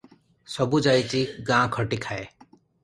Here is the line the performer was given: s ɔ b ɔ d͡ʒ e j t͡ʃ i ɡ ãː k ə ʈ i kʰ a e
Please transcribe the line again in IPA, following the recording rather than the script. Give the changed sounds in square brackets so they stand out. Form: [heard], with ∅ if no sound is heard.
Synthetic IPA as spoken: s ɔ b [u] d͡ʒ [a] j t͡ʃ i ɡ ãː [kʰ] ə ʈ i kʰ a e